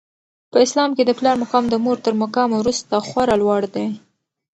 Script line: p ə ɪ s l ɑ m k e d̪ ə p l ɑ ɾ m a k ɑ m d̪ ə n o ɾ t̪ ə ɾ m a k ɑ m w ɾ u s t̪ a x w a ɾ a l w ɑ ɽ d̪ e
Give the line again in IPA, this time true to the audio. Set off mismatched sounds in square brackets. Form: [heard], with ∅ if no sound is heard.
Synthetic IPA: p ə ɪ s l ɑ m k e d̪ ə p l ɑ ɾ m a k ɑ m d̪ ə [m] o ɾ t̪ ə ɾ m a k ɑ m w ɾ u s t̪ a x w a ɾ a l w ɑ ɽ d̪ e